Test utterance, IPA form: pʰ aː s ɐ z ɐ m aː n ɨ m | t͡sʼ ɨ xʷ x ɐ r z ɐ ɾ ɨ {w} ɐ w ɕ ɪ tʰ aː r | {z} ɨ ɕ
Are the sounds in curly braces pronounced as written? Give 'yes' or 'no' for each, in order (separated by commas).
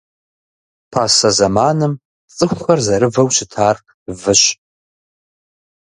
no, no